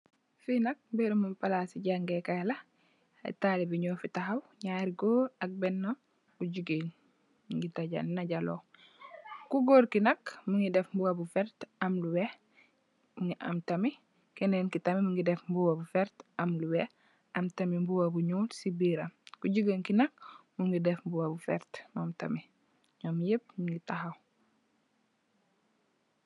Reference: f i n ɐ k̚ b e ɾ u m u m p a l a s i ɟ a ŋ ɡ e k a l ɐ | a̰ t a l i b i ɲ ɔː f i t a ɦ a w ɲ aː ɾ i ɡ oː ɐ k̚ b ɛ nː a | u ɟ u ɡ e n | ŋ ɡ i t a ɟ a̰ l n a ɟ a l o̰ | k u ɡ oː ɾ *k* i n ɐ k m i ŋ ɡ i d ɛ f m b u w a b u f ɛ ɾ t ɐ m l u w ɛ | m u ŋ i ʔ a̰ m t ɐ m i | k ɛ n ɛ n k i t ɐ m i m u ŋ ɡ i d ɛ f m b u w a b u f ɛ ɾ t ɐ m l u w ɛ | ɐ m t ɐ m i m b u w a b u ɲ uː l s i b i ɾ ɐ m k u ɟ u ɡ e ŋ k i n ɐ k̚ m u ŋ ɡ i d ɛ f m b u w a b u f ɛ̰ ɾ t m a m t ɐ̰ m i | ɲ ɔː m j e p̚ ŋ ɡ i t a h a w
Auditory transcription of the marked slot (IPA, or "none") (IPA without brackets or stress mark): k